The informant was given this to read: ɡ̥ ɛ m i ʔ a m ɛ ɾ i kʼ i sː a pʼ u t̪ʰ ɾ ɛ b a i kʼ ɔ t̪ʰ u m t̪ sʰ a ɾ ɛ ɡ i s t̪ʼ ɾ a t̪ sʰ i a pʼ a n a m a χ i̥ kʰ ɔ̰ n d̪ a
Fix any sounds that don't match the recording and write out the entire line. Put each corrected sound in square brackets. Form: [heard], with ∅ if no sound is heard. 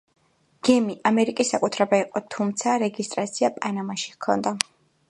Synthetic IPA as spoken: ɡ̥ ɛ m i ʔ a m ɛ ɾ i kʼ i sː a [kʼ] u t̪ʰ ɾ ɛ b a i [qʼ] ɔ t̪ʰ u m t̪ sʰ a ɾ ɛ ɡ i s t̪ʼ ɾ a t̪ sʰ i a pʼ a n a m a [ʃ] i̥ kʰ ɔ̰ n d̪ a